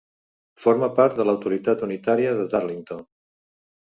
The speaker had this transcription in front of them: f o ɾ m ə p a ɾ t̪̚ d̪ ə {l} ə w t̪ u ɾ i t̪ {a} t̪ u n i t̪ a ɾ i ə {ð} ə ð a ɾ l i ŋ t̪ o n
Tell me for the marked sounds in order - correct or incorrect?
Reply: correct, correct, correct

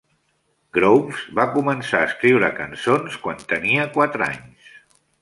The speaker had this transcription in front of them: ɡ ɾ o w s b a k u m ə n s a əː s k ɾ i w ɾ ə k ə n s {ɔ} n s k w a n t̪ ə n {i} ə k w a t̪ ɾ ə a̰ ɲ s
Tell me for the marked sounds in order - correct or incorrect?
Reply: incorrect, correct

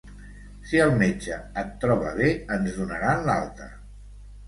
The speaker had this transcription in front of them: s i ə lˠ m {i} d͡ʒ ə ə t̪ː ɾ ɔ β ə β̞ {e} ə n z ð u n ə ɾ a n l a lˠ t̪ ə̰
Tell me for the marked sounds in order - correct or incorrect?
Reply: incorrect, correct

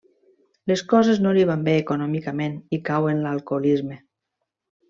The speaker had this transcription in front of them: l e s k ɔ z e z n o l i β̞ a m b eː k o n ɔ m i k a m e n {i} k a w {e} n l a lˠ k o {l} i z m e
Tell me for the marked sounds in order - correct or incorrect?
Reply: correct, correct, correct

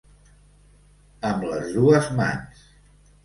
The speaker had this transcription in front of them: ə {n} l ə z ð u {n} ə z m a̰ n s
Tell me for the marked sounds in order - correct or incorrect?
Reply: incorrect, incorrect

